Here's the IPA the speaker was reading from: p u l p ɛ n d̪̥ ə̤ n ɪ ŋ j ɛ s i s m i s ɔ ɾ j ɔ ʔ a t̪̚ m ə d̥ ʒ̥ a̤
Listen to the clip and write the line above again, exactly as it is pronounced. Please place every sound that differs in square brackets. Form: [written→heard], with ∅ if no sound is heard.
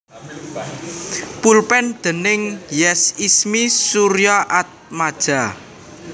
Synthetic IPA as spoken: p u l p ɛ n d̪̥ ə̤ n ɪ ŋ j ɛ s i s m i s [ɔ→u] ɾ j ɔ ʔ a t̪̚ m [ə→a] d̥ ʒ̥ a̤